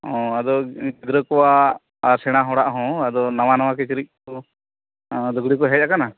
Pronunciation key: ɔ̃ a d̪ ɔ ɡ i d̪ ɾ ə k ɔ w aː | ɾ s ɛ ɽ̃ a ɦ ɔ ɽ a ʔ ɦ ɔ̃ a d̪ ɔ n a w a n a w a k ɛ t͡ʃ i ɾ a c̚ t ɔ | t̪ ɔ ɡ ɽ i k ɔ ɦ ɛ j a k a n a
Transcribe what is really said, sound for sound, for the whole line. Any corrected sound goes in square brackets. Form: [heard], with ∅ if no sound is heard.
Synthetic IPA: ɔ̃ a d̪ ɔ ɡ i d̪ ɾ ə k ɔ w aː | ɾ s ɛ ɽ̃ a ɦ ɔ ɽ a ʔ ɦ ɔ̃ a d̪ ɔ n a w a n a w a k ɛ t͡ʃ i ɾ [i] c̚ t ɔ | [d̪] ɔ ɡ ɽ i k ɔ ɦ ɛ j a k a n a